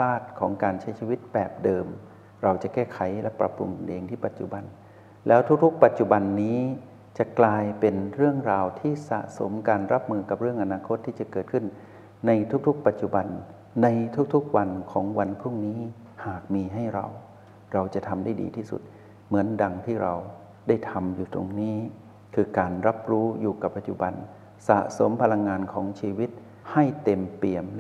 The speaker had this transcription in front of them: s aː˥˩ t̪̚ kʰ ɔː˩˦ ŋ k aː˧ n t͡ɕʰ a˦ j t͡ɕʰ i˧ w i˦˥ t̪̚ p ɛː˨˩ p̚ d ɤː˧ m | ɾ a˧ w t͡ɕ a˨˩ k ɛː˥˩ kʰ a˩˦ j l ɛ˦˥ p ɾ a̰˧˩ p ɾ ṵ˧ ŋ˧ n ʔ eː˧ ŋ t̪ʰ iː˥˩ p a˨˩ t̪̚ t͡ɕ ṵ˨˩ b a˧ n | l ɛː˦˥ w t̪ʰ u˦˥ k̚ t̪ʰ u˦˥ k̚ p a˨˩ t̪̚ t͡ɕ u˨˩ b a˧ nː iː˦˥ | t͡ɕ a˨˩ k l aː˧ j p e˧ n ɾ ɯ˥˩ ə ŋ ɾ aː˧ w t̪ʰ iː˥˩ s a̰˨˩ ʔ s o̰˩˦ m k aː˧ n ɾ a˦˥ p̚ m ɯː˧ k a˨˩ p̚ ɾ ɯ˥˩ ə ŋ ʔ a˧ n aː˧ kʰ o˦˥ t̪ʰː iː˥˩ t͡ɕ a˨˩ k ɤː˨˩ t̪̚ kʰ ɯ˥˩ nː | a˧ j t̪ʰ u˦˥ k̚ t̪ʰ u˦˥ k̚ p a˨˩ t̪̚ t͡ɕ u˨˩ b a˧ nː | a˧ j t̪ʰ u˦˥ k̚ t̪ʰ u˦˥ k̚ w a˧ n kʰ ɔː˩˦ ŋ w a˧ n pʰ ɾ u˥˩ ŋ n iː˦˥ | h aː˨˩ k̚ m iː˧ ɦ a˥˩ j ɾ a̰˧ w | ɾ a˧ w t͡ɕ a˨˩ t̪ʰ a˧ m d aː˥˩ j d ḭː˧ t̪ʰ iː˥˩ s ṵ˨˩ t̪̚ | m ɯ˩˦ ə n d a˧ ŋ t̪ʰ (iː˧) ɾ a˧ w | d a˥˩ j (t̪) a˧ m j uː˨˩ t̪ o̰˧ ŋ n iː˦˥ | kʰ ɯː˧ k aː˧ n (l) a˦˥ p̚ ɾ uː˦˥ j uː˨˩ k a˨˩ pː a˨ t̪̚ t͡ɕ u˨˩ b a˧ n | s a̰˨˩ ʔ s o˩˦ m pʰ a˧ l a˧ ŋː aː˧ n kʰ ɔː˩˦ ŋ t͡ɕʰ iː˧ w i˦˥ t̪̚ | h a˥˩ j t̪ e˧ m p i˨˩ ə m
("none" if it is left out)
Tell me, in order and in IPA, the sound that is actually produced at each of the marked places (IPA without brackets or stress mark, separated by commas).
iː˥˩, t̪ʰ, ɾ